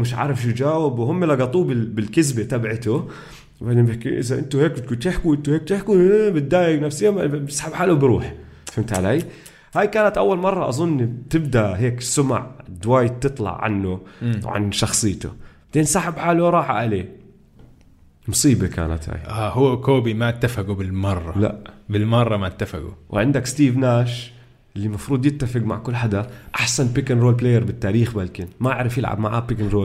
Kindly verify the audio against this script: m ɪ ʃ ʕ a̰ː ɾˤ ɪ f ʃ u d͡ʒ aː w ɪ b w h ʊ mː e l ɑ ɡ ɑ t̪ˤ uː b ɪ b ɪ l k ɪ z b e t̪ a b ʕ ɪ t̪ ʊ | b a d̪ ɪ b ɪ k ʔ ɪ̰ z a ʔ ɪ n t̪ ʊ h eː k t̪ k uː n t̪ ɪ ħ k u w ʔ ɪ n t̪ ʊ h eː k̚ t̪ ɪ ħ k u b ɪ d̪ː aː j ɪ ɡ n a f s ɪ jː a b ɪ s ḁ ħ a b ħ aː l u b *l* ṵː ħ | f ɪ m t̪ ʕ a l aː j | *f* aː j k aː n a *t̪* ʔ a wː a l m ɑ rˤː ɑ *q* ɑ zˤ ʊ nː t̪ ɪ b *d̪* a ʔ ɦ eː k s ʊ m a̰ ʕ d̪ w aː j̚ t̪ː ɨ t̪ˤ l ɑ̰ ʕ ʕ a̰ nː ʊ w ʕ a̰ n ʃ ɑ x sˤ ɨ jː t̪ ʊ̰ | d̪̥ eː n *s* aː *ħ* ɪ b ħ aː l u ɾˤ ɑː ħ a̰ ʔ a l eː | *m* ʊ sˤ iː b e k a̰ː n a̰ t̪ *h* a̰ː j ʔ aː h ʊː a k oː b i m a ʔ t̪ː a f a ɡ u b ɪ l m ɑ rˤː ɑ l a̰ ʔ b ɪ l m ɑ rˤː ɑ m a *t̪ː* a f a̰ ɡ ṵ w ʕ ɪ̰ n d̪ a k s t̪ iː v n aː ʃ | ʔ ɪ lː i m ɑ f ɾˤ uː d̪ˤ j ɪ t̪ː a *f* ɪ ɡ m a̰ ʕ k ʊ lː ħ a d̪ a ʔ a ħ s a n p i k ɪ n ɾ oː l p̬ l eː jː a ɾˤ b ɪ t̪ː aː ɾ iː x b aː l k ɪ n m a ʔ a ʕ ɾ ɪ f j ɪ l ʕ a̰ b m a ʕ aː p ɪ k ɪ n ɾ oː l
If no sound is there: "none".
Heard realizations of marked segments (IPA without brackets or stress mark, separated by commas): ɾ, h, t̪, ʔ, d̪, s, ħ, m, h, t̪ː, f